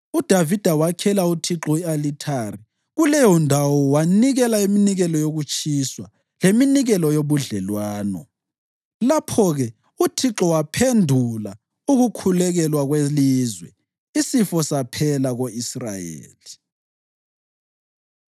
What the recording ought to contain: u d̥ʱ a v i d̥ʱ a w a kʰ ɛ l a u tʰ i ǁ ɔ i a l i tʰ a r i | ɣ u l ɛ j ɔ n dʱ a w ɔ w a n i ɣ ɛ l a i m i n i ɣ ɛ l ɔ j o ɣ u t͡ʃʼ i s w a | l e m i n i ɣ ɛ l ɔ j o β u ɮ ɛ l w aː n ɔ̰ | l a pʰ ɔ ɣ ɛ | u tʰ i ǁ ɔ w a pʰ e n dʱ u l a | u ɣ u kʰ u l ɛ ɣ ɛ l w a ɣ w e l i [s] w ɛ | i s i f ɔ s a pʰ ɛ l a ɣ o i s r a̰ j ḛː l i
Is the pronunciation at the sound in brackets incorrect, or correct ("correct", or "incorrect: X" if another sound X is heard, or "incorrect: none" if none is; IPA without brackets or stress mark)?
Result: incorrect: z